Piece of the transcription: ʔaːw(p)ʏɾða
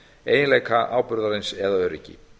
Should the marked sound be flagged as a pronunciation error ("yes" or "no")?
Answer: no